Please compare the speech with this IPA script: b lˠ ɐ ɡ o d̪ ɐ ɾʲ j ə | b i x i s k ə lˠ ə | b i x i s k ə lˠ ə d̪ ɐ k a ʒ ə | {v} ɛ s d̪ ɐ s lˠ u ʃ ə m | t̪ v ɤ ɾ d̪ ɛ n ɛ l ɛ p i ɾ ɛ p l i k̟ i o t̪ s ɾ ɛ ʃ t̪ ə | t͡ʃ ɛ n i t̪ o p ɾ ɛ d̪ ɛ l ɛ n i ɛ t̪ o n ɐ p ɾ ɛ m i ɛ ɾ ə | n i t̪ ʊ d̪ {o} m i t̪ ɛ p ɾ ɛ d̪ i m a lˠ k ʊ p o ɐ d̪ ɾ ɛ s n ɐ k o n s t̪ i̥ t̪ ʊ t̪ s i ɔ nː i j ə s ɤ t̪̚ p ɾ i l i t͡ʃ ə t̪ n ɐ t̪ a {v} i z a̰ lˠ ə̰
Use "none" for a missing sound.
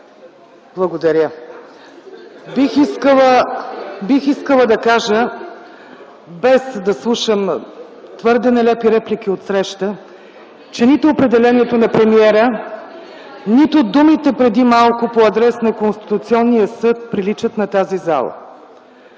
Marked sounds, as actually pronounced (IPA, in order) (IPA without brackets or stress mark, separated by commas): b, u, z